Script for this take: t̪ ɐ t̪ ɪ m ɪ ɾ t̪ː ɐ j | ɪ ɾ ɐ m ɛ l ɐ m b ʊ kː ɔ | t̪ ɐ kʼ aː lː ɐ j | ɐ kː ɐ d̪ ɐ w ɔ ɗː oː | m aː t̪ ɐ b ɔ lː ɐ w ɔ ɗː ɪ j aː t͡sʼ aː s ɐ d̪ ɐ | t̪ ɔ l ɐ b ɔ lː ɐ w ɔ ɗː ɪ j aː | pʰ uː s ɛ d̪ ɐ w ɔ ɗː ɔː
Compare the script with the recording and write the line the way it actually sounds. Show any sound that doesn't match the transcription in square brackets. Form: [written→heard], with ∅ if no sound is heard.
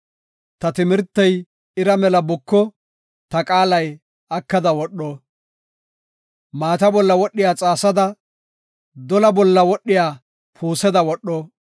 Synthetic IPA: t̪ ɐ t̪ ɪ m ɪ ɾ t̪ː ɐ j | ɪ ɾ ɐ m ɛ l ɐ [m→∅] b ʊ kː ɔ | t̪ ɐ kʼ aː [lː→l] ɐ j | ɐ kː ɐ d̪ ɐ w ɔ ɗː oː | m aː t̪ ɐ b ɔ lː ɐ w ɔ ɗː ɪ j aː t͡sʼ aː s ɐ d̪ ɐ | [t̪→d̪] ɔ l ɐ b ɔ lː ɐ w ɔ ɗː ɪ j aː | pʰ uː s ɛ d̪ ɐ w ɔ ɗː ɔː